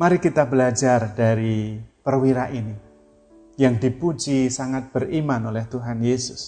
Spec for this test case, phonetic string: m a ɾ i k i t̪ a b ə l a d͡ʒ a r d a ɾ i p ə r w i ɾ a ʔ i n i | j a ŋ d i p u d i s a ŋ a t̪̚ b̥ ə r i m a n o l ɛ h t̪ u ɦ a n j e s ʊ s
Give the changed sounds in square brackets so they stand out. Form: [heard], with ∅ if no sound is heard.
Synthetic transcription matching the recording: m a ɾ i k i t̪ a b ə l a d͡ʒ a r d a ɾ i p ə r w i ɾ a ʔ i n i | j a ŋ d i p u [d͡ʒ] i s a ŋ a t̪̚ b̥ ə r i m a n o l ɛ h t̪ u ɦ a n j e s ʊ s